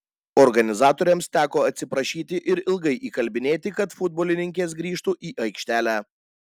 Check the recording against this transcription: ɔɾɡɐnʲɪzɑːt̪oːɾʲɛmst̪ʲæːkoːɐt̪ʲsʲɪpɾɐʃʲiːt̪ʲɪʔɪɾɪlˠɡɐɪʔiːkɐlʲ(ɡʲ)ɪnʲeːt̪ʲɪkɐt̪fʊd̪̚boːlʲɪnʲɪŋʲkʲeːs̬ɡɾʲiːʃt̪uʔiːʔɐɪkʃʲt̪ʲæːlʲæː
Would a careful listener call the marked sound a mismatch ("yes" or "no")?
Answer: yes